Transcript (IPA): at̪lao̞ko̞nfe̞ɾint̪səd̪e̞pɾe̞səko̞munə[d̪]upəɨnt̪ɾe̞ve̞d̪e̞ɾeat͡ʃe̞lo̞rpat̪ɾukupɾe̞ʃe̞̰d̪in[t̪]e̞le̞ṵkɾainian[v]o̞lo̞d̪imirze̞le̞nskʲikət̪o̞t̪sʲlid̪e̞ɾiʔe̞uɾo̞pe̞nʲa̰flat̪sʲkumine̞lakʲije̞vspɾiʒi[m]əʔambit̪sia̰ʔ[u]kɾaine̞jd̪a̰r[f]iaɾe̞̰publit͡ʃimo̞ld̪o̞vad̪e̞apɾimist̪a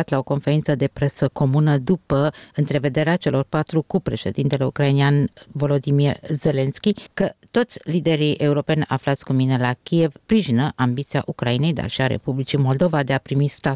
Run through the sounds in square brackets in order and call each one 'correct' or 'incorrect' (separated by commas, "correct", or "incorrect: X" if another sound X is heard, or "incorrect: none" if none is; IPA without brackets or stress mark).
correct, correct, correct, incorrect: n, correct, incorrect: ʃ